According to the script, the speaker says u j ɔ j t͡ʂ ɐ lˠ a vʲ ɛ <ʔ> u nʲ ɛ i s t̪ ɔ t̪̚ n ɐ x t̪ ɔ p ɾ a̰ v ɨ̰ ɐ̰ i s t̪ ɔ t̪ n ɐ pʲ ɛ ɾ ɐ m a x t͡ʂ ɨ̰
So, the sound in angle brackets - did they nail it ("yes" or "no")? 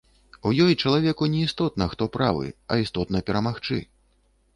no